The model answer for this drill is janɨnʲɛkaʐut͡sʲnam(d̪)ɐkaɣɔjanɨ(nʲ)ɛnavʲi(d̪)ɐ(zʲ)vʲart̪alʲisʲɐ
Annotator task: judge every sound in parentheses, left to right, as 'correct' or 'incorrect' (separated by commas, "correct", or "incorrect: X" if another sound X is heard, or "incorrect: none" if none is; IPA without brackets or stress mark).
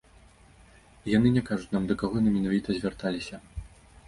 correct, incorrect: mʲ, incorrect: t̪, correct